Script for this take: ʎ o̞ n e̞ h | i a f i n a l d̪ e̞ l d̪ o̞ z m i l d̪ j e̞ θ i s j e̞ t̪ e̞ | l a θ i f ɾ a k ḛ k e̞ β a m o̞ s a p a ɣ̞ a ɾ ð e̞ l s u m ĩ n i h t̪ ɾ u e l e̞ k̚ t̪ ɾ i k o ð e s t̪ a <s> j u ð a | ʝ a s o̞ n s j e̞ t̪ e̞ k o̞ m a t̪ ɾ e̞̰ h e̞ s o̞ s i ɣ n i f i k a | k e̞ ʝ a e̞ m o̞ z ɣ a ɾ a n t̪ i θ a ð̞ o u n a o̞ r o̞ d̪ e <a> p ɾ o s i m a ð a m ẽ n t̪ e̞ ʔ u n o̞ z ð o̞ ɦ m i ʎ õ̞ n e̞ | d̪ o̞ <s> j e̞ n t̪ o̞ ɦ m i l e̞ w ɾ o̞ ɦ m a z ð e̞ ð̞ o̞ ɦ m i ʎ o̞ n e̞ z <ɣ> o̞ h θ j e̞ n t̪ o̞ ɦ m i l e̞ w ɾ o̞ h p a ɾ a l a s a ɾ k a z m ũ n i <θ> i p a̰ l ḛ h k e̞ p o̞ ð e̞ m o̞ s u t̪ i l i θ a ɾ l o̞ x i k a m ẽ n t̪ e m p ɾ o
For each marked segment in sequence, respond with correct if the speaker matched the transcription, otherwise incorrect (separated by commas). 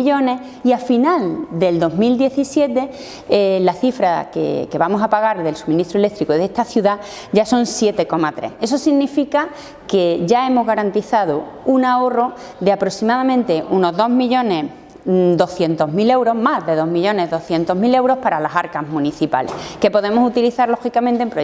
incorrect, correct, incorrect, incorrect, correct